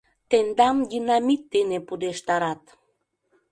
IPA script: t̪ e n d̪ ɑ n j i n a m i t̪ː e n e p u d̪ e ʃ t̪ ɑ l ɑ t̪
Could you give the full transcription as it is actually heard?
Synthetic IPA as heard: t̪ e n d̪ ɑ m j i n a m i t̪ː e n e p u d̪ e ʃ t̪ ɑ ɾ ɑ t̪